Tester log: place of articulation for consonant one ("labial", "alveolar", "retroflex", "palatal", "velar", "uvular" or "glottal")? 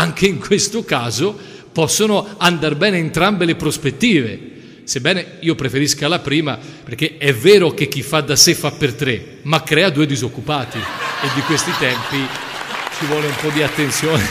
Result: velar